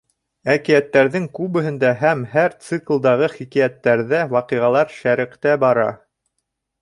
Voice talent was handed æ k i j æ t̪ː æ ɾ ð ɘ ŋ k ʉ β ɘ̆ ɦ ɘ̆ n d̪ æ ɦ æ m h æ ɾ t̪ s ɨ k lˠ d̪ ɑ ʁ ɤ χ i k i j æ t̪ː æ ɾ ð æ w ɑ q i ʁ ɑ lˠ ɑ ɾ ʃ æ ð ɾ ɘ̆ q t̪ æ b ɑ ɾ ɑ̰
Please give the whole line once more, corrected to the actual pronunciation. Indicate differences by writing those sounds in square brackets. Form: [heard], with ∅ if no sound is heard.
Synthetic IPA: æ k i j æ t̪ː æ ɾ ð ɘ ŋ k ʉ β ɘ̆ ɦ ɘ̆ n d̪ æ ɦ æ m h æ ɾ t̪ s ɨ k lˠ d̪ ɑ ʁ ɤ χ i k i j æ t̪ː æ ɾ ð æ w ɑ q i ʁ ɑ lˠ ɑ ɾ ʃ æ [∅] ɾ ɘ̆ q t̪ æ b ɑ ɾ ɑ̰